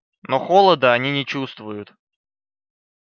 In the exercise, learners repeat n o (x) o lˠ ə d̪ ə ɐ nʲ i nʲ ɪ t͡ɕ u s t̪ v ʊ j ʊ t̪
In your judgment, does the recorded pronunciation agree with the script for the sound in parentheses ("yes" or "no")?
yes